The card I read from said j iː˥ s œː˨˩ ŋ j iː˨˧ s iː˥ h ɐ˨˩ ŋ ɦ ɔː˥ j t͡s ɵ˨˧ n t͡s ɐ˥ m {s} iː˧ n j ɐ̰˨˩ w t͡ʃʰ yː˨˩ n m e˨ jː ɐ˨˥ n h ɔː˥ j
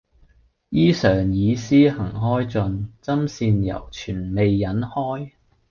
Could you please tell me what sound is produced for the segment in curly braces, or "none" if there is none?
s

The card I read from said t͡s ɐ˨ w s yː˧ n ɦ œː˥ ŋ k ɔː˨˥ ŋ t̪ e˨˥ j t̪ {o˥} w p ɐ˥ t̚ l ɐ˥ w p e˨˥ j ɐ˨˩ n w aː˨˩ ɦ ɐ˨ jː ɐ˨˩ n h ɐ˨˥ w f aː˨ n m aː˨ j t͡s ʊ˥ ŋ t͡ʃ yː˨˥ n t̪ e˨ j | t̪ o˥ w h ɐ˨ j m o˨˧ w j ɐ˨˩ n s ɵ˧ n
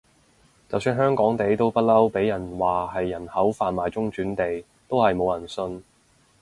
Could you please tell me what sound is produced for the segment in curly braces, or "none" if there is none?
o˥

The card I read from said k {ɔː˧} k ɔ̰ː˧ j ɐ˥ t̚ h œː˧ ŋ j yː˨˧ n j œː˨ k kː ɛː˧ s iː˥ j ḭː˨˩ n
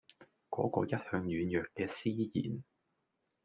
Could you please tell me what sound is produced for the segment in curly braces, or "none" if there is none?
ɔː˨˥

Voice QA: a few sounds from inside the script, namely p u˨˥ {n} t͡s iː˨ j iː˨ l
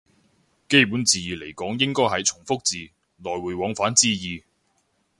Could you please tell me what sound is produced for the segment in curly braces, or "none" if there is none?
n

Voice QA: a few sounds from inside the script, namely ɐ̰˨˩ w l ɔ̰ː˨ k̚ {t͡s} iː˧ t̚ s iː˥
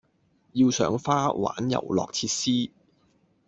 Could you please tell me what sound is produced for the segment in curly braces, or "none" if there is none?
t͡sʰ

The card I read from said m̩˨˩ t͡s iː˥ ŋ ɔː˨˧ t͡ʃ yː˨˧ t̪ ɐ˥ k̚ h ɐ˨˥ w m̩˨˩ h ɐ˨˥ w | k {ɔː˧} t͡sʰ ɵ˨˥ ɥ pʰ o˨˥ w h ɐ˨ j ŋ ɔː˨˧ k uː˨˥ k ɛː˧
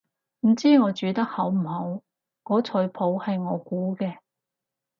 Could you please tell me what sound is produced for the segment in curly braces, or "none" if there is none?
ɔː˨˥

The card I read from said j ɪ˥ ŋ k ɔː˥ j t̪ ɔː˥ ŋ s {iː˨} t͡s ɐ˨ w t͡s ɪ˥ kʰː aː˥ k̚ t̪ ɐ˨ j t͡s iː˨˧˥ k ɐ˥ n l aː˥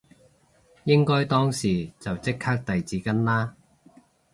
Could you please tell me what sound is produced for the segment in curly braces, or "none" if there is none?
iː˨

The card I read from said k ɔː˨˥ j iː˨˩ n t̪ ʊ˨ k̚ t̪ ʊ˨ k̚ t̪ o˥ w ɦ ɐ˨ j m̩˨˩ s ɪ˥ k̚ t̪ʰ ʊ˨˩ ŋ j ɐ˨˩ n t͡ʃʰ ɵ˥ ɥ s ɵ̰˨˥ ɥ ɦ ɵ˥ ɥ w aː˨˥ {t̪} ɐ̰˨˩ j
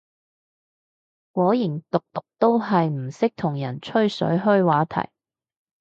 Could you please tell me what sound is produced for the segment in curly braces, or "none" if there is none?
t̪ʰ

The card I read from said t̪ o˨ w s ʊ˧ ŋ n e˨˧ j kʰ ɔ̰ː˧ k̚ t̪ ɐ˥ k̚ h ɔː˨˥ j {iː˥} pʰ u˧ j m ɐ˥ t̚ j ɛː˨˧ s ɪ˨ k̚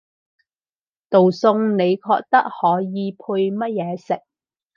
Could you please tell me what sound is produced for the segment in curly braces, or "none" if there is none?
iː˨˧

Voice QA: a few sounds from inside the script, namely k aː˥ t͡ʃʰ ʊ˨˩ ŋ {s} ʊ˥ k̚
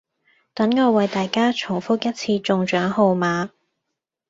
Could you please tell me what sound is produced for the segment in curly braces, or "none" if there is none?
f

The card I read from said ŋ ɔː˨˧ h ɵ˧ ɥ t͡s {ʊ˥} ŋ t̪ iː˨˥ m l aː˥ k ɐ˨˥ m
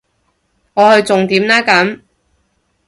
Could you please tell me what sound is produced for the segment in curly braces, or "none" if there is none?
ʊ˨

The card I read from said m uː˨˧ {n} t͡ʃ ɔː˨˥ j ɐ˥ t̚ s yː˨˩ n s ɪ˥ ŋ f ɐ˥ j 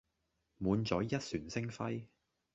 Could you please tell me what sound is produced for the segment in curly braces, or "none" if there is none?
n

